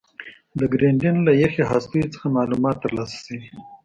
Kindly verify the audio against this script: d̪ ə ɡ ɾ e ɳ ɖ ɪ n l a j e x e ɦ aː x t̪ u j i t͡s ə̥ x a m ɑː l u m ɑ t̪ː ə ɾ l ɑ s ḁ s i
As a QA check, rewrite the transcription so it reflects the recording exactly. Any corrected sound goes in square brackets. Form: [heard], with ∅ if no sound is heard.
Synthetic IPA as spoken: d̪ ə ɡ ɾ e ɳ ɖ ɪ n l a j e x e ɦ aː [s] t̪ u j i t͡s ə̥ x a m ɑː l u m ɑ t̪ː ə ɾ l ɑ s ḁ s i